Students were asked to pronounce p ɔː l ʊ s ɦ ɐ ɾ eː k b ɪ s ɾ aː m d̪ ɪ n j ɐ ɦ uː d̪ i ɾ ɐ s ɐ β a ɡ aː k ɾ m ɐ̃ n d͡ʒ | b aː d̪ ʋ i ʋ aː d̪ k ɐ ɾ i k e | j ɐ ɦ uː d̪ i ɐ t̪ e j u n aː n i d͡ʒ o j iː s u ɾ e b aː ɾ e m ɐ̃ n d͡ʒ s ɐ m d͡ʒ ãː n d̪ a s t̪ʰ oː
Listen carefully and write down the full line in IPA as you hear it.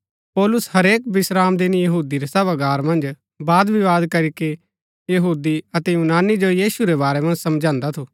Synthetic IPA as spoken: p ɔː l ʊ s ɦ ɐ ɾ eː k b ɪ s ɾ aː m d̪ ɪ n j ɐ ɦ uː d̪ i ɾ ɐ s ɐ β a ɡ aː ɾ m ɐ̃ n d͡ʒ | b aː d̪ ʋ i ʋ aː d̪ k ɐ ɾ i k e | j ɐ ɦ uː d̪ i ɐ t̪ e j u n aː n i d͡ʒ o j iː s u ɾ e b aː ɾ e m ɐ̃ n d͡ʒ s ɐ m d͡ʒ ãː n d̪ a t̪ʰ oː

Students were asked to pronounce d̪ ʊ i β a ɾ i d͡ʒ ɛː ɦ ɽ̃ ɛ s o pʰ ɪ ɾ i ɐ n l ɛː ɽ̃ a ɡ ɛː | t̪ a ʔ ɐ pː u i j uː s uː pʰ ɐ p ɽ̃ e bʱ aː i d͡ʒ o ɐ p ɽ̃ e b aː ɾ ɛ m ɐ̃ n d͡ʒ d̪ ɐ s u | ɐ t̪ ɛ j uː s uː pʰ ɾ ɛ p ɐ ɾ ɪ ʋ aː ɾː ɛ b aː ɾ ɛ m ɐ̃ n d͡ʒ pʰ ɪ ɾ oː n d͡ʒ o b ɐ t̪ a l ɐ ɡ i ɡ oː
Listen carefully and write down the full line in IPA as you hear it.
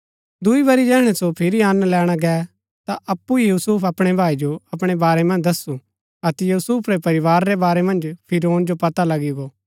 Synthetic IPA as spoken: d̪ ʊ i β ɐ ɾ i d͡ʒ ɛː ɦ ɽ̃ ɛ s o pʰ ɪ ɾ i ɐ n l ɛː ɽ̃ a ɡ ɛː | t̪ a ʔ ɐ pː u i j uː s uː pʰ ɐ p ɽ̃ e bʱ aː i d͡ʒ o ɐ p ɽ̃ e b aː ɾ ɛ m ɐ̃ n d͡ʒ d̪ ɐ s u | ɐ t̪ ɛ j uː s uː pʰ ɾ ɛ p ɐ ɾ ɪ ʋ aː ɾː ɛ b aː ɾ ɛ m ɐ̃ n d͡ʒ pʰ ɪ ɾ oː n d͡ʒ o p ɐ t̪ a l ɐ ɡ i ɡ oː

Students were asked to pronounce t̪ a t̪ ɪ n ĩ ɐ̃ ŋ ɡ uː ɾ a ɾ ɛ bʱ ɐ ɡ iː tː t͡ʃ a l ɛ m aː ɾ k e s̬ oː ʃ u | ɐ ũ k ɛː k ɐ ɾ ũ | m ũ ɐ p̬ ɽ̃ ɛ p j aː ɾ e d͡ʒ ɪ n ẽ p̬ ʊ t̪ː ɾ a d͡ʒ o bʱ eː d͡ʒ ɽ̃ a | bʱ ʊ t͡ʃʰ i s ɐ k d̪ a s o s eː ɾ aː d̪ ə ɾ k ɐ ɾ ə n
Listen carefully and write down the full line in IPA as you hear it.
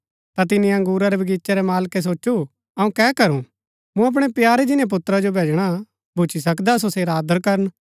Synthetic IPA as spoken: t̪ a t̪ ɪ n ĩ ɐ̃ ŋ ɡ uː ɾ a ɾ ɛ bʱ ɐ ɡ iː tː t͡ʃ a ɾ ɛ m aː l k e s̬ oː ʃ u | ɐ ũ k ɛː k ɐ ɾ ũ | m ũ ɐ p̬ ɽ̃ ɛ p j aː ɾ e d͡ʒ ɪ n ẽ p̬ ʊ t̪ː ɾ a d͡ʒ o bʱ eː d͡ʒ ɽ̃ a | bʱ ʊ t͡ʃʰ i s ɐ k d̪ a s o s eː ɾ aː d̪ ə ɾ k ɐ ɾ ə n

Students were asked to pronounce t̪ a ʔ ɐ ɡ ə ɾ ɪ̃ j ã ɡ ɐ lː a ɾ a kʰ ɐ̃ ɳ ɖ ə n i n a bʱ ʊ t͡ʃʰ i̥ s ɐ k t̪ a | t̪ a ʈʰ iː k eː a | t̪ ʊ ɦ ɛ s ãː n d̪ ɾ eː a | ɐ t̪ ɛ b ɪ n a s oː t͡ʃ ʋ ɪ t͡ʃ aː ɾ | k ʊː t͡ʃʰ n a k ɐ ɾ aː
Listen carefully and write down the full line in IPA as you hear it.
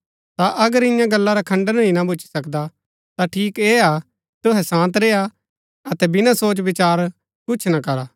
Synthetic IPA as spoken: t̪ a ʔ ɐ ɡ ə ɾ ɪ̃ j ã ɡ ɐ lː a ɾ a kʰ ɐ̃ ɳ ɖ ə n i n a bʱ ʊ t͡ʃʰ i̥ s ɐ k d̪ a | t̪ a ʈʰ iː k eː a | t̪ ʊ ɦ ɛ s ãː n t̪ ɾ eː a | ɐ t̪ ɛ b ɪ n a s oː t͡ʃ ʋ ɪ t͡ʃ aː ɾ | k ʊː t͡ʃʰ n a k ɐ ɾ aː

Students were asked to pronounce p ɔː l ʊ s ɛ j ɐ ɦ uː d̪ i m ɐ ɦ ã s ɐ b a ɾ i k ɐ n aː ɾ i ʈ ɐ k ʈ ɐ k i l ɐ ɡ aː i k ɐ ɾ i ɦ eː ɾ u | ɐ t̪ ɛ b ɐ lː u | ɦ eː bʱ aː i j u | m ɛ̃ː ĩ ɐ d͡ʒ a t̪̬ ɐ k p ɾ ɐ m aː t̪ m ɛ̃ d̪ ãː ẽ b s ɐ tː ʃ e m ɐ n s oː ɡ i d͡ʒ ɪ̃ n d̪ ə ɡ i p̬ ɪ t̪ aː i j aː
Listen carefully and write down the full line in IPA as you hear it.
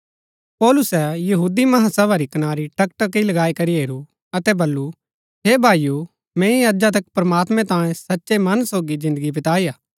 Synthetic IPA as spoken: p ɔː l ʊ s ɛ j ɐ ɦ uː d̪ i m ɐ ɦ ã s ɐ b a ɾ i k ɐ n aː ɾ i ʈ ɐ k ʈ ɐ k i l ɐ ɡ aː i k ɐ ɾ i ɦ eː ɾ u | ɐ t̪ ɛ b ɐ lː u | ɦ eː bʱ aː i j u | m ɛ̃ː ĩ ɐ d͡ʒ a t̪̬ ɐ k p ɾ ɐ m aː t̪ m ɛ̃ t̪ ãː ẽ s ɐ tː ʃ e m ɐ n s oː ɡ i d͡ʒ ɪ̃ n d̪ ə ɡ i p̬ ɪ t̪ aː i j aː

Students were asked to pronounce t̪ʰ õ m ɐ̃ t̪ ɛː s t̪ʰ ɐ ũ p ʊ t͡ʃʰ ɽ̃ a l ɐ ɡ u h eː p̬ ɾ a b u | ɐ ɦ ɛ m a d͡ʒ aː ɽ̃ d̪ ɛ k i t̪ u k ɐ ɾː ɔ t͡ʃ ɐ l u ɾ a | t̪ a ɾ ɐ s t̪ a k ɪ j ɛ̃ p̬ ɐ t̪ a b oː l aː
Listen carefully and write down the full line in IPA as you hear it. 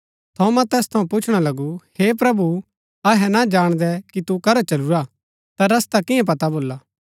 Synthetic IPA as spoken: t̪ʰ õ m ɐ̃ t̪ ɛː s t̪ʰ ɐ ũ p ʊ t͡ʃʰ ɽ̃ a l ɐ ɡ u h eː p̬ ɾ ɐ b u | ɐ ɦ ɛ n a d͡ʒ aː ɽ̃ d̪ ɛ k i t̪ u k ɐ ɾ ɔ t͡ʃ ɐ l u ɾ a | t̪ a ɾ ɐ s t̪ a k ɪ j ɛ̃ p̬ ɐ t̪ a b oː l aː

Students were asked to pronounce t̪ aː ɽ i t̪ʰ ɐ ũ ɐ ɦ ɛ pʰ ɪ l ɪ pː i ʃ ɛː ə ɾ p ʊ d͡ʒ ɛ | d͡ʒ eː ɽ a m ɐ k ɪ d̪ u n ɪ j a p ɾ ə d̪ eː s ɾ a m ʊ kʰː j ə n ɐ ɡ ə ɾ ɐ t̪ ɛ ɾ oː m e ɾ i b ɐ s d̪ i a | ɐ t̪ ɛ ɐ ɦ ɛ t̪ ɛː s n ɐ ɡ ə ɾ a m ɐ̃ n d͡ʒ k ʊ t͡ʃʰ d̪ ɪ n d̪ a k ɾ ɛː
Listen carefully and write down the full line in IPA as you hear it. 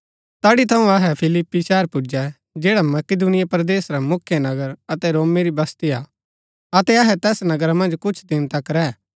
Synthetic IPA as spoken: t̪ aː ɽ i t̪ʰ ɐ ũ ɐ ɦ ɛ pʰ ɪ l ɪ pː i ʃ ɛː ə ɾ p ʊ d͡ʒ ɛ | d͡ʒ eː ɽ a m ɐ k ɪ d̪ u n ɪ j a p ɾ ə d̪ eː s ɾ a m ʊ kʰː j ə n ɐ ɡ ə ɾ ɐ t̪ ɛ ɾ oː m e ɾ i b ɐ s t̪ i a | ɐ t̪ ɛ ɐ ɦ ɛ t̪ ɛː s n ɐ ɡ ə ɾ a m ɐ̃ n d͡ʒ k ʊ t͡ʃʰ d̪ ɪ n t̪ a k ɾ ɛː

